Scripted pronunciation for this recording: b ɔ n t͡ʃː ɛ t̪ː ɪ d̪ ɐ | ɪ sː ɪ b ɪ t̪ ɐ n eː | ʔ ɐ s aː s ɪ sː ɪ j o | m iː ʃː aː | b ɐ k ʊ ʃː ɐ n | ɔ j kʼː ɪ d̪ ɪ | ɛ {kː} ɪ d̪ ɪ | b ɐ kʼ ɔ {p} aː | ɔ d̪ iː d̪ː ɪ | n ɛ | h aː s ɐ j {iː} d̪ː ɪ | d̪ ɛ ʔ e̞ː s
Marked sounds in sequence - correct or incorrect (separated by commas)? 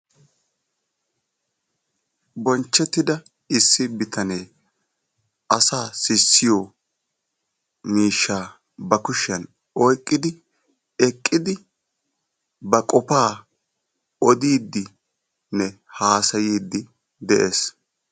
incorrect, correct, correct